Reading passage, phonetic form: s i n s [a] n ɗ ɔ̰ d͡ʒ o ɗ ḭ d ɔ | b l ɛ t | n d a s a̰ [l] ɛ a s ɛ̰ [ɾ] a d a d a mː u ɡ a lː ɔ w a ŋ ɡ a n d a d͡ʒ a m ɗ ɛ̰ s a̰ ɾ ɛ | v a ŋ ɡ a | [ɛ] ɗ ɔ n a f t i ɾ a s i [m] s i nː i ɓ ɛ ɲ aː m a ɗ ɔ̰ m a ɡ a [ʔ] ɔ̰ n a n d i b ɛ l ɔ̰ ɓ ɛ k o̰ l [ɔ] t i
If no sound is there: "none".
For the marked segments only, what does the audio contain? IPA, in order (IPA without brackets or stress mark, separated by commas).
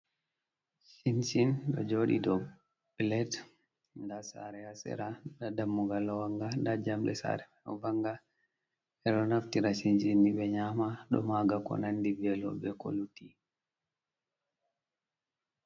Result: i, ɾ, ɾ, ɛ, n, k, u